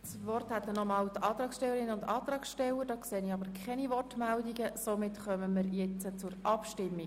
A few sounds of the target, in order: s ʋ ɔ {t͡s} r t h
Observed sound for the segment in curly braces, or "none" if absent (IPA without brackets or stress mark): none